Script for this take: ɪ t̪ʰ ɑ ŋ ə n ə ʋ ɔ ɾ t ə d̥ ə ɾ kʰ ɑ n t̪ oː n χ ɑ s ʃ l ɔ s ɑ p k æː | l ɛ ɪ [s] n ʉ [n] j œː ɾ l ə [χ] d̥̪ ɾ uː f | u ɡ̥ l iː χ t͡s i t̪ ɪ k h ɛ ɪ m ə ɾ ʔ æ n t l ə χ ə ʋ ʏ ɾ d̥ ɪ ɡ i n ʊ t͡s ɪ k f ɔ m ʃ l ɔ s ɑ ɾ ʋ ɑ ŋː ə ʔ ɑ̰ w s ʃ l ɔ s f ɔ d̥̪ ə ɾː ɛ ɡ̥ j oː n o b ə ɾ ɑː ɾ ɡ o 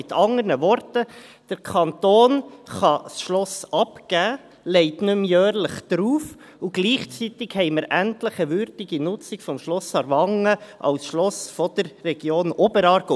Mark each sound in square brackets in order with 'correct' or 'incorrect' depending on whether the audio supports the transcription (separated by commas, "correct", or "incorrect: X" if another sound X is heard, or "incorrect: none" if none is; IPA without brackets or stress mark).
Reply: incorrect: t, incorrect: m, correct